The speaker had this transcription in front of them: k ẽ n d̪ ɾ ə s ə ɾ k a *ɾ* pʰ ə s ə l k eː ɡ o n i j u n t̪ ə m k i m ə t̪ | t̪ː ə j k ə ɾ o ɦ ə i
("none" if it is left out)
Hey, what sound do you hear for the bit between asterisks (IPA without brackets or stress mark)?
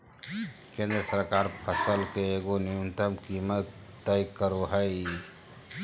ɾ